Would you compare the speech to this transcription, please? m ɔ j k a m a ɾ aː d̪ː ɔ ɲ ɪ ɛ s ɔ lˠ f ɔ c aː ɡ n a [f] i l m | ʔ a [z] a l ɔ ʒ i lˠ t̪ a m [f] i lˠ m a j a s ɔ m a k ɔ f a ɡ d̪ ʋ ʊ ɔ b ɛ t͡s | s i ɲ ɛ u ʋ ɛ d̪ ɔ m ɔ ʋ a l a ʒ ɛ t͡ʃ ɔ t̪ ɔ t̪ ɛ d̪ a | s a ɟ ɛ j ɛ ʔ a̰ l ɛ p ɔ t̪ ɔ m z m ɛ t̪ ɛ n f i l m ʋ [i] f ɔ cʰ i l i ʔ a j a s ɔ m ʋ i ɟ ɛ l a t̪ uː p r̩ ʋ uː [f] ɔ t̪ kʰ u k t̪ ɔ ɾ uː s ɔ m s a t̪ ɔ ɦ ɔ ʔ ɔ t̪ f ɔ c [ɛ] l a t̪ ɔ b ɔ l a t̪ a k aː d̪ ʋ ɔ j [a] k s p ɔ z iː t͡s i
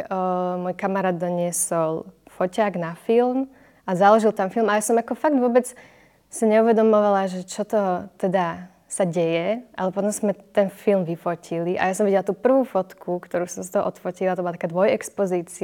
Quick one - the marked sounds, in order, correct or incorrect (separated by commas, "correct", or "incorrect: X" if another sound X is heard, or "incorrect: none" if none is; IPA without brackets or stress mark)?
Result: correct, correct, correct, correct, correct, incorrect: i, incorrect: ɛ